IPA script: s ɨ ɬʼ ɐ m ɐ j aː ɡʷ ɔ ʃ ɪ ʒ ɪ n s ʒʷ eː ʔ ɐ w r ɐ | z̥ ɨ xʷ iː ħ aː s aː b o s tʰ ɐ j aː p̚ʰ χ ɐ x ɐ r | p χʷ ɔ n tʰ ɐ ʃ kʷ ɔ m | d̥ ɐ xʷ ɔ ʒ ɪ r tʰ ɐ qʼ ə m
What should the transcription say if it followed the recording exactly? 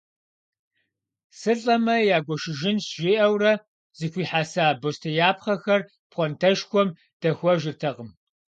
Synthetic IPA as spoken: s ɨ ɬʼ ɐ m ɐ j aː ɡʷ ɔ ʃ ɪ ʒ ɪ n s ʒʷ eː ʔ ɐ w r ɐ | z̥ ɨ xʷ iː ħ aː s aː b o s tʰ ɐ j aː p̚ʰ χ ɐ x ɐ r | p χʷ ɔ n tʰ ɐ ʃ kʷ ɔ m | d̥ ɐ xʷ ɔ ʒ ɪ r tʰ ɐ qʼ ə m